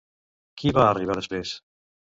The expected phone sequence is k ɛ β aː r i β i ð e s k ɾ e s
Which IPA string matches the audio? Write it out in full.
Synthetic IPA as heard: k i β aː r i β a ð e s p ɾ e s

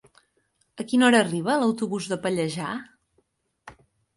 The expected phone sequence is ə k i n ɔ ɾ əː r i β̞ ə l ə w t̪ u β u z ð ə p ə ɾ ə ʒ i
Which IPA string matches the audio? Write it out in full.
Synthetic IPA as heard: ə k i n ɔ ɾ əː r i β̞ ə l ə w t̪ u β u z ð ə p ə ʎ ə ʒ a

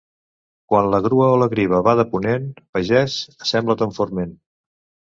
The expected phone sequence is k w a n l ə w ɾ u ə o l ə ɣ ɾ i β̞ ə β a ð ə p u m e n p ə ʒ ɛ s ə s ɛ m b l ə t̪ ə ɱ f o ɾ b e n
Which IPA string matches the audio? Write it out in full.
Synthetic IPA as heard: k w a n l ə ɣ ɾ u ə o l ə ɣ ɾ i β̞ ə β a ð ə p u n e n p ə ʒ ɛ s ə s ɛ m b l ə t̪ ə ɱ f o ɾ m e n

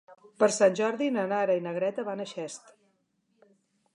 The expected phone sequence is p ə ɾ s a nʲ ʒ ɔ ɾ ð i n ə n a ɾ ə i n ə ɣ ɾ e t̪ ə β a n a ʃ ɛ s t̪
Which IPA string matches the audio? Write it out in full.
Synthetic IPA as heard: p ə ɾ s a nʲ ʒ ɔ ɾ ð i n ə n a ɾ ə i n ə ɣ ɾ ɛ t̪ ə β a n ə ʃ ɛ s t̪

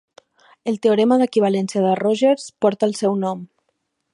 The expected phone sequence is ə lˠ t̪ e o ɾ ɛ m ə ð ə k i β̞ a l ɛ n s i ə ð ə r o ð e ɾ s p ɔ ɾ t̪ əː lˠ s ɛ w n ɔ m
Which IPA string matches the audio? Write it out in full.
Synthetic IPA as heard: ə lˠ t̪ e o ɾ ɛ m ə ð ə k i β̞ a l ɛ n s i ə ð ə r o ʒ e ɾ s p ɔ ɾ t̪ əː lˠ s ɛ w n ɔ m

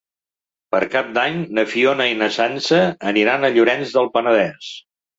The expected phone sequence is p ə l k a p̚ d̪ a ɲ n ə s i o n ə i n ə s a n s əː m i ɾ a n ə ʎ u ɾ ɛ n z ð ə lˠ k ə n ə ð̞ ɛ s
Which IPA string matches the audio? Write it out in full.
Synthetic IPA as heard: p ə ɾ k a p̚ d̪ a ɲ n ə f i o n ə i n ə s a n s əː n i ɾ a n ə ʎ u ɾ ɛ n z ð ə lˠ p ə n ə ð̞ ɛ s

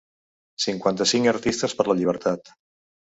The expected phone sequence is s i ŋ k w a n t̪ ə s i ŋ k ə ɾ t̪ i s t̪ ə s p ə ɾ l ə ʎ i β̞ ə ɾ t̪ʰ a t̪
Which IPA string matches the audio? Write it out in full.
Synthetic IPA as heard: s i ŋ k w a n t̪ ə s i ŋ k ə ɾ t̪ i s t̪ ə s p ə ɾ l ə ʎ i β̞ ə ɾ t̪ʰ a t̪

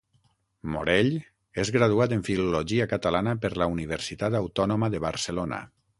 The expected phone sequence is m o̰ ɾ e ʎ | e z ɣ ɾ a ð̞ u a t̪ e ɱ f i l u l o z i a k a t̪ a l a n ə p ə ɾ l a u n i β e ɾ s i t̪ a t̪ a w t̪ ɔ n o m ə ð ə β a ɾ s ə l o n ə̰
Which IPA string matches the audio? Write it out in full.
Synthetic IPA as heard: m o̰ ɾ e ʎ | e z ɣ ɾ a ð̞ u a t̪ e ɱ f i l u l o ʒ i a k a t̪ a l a n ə p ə ɾ l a u n i β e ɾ s i t̪ a t̪ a w t̪ ɔ n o m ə ð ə β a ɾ s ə l o n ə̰

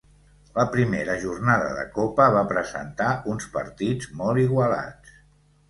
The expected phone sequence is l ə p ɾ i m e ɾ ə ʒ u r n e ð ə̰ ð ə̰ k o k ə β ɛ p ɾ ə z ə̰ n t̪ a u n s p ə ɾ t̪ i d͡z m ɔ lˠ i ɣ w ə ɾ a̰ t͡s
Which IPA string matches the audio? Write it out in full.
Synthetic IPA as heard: l ə p ɾ i m e ɾ ə ʒ u r n a ð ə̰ ð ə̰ k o p ə β a p ɾ ə z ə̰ n t̪ a u n s p ə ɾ t̪ i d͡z m ɔ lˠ i ɣ w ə l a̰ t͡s

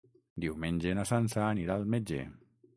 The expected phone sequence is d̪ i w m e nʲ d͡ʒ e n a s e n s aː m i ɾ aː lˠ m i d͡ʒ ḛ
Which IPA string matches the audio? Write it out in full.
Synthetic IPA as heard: d̪ i w m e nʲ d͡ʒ e n a s a n s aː n i ɾ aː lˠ m e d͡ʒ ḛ

